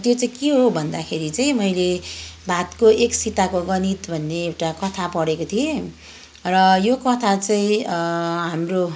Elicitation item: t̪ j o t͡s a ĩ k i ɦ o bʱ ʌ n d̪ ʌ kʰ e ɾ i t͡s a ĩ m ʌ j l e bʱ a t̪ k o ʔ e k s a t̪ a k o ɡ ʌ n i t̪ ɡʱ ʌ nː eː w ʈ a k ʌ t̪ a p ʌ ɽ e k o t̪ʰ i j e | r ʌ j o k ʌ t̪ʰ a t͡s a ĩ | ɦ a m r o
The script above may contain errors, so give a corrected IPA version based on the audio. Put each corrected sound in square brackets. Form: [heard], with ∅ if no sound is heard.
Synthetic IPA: t̪ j o t͡s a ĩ k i ɦ o bʱ ʌ n d̪ [a] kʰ e ɾ i t͡s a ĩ m ʌ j l e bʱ a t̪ k o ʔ e k s [i] t̪ a k o ɡ ʌ n i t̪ [bʱ] ʌ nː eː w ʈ a k ʌ [t̪ʰ] a p ʌ ɽ e k o t̪ʰ i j e | r ʌ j o k ʌ t̪ʰ a t͡s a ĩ | ɦ a m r o